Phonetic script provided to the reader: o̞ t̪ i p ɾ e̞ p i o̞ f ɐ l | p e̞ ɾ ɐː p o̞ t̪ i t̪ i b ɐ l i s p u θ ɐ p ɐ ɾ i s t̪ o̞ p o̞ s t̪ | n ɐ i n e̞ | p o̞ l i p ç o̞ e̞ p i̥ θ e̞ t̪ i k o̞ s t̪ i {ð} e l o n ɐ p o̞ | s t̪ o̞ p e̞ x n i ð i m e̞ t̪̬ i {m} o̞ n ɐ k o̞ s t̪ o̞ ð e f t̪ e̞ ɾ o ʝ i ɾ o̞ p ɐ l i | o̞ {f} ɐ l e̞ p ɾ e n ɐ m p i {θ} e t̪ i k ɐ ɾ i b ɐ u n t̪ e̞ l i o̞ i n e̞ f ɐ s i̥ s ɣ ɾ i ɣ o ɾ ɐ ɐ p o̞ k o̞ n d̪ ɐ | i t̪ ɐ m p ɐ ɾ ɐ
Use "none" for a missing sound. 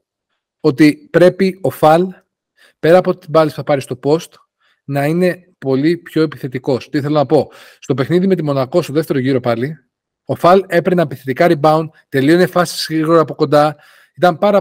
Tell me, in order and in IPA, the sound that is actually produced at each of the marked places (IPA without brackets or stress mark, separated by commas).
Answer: θ, m, f, θ